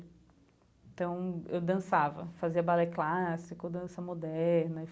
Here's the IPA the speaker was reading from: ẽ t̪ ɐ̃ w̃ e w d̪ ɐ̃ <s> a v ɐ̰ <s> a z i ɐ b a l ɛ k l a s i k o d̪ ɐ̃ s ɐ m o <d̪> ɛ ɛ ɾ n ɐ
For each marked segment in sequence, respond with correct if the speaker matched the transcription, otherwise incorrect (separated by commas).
correct, incorrect, correct